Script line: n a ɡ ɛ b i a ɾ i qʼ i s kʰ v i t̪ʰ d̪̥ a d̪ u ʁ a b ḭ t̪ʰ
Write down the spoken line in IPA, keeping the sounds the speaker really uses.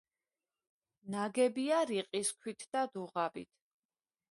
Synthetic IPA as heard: n a ɡ ɛ b i a ɾ i qʼ i s kʰ w i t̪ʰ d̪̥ a d̪ u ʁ a b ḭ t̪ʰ